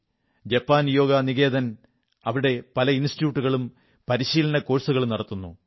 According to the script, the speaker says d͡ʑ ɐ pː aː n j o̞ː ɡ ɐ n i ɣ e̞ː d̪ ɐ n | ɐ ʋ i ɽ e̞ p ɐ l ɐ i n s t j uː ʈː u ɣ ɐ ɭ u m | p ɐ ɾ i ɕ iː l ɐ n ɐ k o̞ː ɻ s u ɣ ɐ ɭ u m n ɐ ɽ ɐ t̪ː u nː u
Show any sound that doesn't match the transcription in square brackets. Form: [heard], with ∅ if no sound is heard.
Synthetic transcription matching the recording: d͡ʑ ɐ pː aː n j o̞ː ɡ ɐ n i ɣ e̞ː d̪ ɐ n | ɐ ʋ i ɽ e̞ p ɐ l ɐ i n s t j uː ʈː u ɣ ɐ ɭ u m | p ɐ ɾ i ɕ iː l ɐ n ɐ k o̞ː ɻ s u ɣ ɐ ɭ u m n ɐ ɽ ɐ t̪ː u nː u